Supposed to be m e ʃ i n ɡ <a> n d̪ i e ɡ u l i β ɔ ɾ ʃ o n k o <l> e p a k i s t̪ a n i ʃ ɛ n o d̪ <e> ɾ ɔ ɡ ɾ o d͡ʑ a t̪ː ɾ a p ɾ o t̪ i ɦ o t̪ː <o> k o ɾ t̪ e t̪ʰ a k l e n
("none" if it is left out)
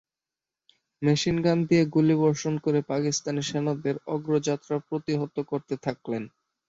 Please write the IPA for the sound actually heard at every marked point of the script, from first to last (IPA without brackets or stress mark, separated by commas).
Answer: a, ɾ, e, o